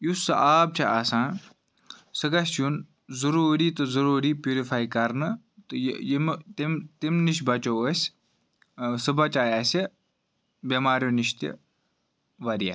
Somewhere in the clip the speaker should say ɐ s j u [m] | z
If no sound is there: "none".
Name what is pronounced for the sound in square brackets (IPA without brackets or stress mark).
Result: n